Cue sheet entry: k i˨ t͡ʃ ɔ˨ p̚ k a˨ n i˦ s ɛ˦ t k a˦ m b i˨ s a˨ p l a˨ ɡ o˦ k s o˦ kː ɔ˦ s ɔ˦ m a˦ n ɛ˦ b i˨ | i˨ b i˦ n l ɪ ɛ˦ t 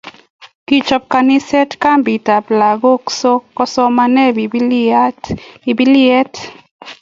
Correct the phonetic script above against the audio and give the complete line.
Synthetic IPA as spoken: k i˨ t͡ʃ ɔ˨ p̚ k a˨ n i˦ s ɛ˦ t k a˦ m b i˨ t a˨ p l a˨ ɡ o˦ k s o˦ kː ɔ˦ s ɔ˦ m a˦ n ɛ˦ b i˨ | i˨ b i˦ l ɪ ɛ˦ t